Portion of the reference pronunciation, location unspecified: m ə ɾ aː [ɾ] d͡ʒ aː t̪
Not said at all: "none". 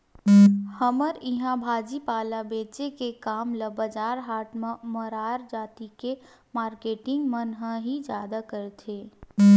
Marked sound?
ɾ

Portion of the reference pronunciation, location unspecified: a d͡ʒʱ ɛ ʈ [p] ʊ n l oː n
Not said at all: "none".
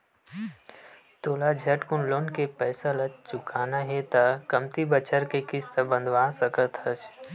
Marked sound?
k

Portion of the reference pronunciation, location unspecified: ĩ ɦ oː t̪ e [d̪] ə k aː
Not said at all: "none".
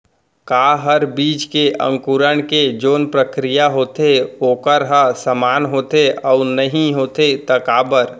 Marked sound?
t̪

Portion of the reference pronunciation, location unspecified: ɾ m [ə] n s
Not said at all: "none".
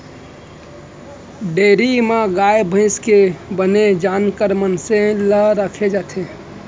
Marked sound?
ə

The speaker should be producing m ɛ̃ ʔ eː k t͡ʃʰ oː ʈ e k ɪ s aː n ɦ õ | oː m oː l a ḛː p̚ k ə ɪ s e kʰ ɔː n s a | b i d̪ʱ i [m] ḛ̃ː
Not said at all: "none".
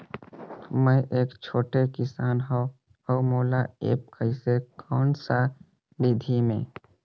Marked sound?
m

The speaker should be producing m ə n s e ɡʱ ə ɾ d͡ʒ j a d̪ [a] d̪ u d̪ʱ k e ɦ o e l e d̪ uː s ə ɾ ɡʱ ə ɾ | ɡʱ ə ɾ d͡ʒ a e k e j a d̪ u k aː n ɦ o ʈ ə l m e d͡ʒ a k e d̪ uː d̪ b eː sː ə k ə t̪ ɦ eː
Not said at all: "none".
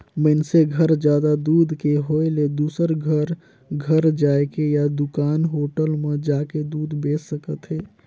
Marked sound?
a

